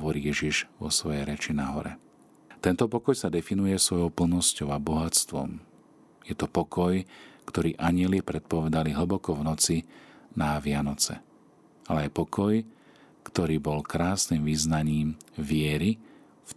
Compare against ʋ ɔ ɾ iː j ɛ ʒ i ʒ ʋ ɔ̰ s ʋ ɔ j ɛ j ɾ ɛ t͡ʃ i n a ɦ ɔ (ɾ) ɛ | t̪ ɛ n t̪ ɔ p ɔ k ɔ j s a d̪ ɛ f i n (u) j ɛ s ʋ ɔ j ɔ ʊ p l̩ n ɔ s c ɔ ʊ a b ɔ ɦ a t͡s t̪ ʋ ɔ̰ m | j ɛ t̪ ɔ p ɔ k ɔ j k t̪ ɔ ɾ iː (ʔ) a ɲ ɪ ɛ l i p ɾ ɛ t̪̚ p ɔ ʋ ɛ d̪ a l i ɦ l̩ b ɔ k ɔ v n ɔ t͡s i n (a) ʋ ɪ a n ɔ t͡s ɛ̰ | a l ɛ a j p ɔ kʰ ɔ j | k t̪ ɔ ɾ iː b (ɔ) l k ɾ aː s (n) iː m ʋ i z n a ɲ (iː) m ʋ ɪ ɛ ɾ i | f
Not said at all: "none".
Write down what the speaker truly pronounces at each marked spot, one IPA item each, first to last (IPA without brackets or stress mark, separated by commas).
ɾ, u, ʔ, a, ɔ, n, iː